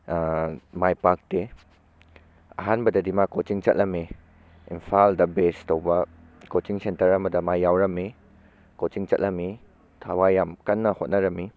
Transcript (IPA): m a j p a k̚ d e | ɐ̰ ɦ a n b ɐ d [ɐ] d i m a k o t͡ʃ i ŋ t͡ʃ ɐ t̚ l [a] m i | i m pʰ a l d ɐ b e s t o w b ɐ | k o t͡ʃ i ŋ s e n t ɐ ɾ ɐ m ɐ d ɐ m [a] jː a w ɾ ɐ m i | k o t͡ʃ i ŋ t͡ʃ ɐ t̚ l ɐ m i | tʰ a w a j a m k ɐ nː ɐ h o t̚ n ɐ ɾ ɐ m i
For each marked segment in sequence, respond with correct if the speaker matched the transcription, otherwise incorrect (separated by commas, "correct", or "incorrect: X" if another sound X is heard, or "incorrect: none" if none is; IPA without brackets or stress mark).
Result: correct, incorrect: ɐ, correct